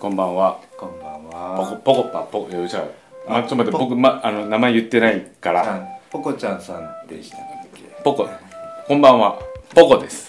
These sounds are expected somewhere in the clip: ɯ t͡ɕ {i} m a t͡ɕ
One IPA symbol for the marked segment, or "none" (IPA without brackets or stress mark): a